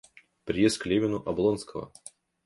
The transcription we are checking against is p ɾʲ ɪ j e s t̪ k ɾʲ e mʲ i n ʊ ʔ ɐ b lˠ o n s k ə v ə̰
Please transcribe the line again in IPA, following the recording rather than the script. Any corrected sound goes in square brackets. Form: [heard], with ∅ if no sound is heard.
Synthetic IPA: p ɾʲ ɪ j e s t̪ k [lʲ] e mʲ [ɪ] n ʊ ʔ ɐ b lˠ o n s k ə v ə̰